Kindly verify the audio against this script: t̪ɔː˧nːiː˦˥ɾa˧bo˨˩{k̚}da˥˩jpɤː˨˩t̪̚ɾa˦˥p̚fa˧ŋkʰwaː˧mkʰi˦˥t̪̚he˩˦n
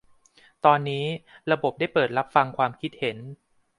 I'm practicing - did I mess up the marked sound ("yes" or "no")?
yes